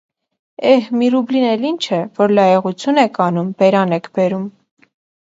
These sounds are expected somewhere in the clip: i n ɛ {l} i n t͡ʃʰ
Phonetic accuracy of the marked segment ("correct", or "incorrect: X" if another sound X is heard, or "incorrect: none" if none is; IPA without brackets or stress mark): correct